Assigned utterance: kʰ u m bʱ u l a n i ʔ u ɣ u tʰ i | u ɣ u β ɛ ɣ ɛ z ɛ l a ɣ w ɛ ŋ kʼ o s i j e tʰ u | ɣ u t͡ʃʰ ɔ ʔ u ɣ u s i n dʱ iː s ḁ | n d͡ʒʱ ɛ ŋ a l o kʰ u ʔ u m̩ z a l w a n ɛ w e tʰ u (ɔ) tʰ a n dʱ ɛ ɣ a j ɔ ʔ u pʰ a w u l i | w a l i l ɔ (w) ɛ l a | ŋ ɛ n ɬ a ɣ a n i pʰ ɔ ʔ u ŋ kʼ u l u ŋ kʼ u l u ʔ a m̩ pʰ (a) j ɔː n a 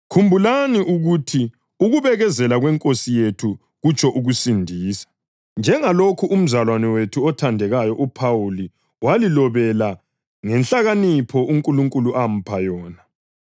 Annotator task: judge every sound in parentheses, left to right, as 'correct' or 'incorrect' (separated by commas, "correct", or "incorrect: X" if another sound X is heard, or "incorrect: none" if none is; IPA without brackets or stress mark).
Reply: correct, incorrect: β, correct